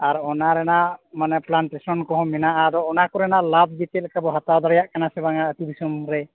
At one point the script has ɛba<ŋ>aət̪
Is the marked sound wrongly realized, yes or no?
no